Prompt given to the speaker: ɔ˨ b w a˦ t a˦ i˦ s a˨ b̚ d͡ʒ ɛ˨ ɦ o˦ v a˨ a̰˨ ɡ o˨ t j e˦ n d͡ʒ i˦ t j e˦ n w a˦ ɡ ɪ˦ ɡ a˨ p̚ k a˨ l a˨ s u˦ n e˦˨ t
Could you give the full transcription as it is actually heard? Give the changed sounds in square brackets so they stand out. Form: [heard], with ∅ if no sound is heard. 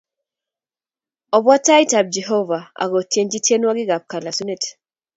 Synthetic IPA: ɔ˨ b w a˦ t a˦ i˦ [t] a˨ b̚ d͡ʒ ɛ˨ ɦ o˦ v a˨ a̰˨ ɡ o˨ t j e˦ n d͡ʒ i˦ t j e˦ n w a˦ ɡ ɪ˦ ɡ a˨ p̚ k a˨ l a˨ s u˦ n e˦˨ t